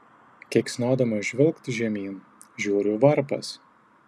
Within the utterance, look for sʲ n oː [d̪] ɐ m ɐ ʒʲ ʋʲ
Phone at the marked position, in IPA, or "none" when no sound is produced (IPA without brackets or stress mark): d̪